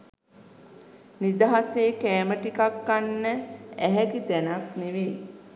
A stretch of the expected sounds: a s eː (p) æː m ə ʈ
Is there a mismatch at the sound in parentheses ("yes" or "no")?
yes